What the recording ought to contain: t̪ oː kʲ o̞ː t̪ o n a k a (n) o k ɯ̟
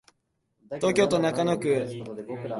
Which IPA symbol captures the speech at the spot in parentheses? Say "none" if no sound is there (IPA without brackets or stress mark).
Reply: n